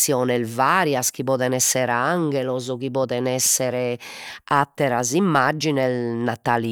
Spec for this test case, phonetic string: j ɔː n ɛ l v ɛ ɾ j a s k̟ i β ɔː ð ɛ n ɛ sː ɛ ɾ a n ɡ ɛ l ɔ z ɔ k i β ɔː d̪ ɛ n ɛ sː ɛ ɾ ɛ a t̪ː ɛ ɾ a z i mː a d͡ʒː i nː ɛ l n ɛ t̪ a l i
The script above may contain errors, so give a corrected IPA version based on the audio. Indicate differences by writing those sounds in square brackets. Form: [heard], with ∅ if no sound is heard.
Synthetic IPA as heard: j ɔː n ɛ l v [a] ɾ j a s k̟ i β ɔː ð ɛ n ɛ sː ɛ ɾ a [ŋ] ɡ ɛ l ɔ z ɔ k i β ɔː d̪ ɛ n ɛ sː ɛ ɾ ɛ a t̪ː ɛ ɾ a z i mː a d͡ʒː i [n] ɛ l n [a] t̪ a l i